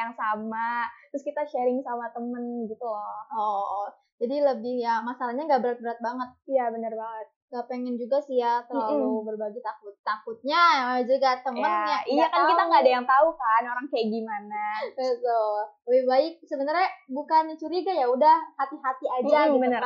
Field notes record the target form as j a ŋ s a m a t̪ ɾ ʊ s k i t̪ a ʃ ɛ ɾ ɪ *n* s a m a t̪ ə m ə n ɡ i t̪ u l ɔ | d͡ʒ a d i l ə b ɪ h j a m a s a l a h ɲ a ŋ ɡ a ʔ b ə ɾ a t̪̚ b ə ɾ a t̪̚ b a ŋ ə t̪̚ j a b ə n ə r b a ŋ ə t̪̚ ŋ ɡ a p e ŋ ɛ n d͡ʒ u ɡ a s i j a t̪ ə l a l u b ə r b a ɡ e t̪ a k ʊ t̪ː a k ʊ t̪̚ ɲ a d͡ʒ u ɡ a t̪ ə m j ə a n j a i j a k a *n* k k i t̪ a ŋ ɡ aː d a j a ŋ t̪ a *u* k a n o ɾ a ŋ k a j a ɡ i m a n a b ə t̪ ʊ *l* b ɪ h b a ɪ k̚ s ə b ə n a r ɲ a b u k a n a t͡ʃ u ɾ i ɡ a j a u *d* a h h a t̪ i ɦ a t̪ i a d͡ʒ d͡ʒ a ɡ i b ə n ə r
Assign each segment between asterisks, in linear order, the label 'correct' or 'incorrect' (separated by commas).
incorrect, correct, correct, correct, correct